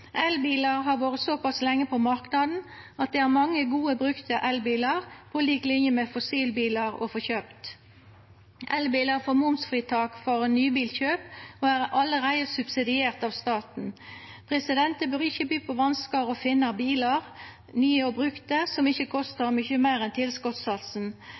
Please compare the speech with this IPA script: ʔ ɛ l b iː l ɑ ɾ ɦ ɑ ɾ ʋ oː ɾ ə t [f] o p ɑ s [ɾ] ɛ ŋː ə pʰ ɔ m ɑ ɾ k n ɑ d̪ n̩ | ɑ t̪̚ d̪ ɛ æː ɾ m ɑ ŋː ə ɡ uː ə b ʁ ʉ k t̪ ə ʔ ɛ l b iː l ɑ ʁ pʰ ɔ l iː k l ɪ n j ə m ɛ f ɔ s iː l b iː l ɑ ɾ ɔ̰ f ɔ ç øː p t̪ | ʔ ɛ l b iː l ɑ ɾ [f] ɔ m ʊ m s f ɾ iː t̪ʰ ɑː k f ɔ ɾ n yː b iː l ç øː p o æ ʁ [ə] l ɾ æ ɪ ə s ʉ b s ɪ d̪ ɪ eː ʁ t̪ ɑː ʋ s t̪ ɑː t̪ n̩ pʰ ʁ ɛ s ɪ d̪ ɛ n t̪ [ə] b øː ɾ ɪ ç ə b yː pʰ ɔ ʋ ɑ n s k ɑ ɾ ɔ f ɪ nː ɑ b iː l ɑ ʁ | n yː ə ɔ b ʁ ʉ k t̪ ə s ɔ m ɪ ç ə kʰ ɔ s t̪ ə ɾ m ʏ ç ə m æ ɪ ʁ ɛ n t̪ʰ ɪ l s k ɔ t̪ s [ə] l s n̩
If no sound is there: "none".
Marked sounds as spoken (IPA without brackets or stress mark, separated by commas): s, l, f, ɑ, ə, ɑ